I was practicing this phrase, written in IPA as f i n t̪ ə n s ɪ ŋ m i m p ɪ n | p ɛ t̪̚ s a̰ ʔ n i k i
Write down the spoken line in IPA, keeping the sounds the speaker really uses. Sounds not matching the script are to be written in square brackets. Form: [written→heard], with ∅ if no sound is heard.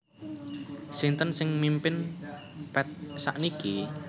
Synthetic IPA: [f→s] i n t̪ ə n s ɪ ŋ m i m p ɪ n | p ɛ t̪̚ s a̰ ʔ n i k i